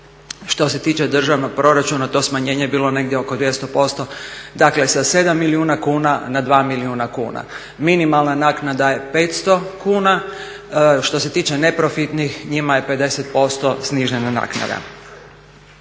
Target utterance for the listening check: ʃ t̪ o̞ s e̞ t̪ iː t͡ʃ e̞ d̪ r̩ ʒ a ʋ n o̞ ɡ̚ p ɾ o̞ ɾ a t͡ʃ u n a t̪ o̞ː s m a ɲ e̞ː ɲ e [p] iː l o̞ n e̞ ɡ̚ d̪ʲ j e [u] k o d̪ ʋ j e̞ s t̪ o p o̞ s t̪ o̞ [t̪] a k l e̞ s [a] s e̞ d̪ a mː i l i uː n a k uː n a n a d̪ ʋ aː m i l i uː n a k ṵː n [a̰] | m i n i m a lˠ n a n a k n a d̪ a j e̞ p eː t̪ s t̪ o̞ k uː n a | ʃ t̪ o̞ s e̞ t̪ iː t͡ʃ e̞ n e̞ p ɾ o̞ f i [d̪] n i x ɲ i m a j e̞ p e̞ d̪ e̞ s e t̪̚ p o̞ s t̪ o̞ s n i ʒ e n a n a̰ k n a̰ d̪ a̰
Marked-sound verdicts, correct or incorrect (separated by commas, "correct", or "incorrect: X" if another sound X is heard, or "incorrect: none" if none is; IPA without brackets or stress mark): incorrect: b, incorrect: o, incorrect: d̪, correct, correct, incorrect: t̪